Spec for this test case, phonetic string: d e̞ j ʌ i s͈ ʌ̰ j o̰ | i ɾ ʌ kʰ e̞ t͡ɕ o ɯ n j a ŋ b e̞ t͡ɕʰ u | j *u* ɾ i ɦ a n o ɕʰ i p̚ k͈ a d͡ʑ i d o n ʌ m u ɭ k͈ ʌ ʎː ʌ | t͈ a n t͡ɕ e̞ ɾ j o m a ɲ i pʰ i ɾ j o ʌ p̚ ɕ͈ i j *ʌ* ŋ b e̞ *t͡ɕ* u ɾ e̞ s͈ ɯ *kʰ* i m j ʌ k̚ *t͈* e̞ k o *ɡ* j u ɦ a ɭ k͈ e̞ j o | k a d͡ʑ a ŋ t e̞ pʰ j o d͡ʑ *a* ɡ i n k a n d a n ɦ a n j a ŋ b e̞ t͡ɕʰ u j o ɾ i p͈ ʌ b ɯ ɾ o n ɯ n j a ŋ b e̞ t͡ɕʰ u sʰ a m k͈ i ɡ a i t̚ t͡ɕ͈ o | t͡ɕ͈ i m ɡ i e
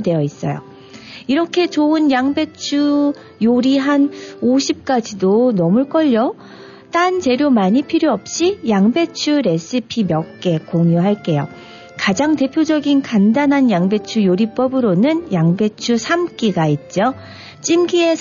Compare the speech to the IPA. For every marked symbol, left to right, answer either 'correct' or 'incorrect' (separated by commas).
incorrect, incorrect, incorrect, incorrect, incorrect, incorrect, incorrect